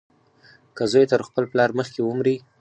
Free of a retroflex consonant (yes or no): yes